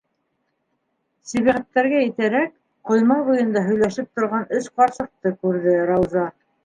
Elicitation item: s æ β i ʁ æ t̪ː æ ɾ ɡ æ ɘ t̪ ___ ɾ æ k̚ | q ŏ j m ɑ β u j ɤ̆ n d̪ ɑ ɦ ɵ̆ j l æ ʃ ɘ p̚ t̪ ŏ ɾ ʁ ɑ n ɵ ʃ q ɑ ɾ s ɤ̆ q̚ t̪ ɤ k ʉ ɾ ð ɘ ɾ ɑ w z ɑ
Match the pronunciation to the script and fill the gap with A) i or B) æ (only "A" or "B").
B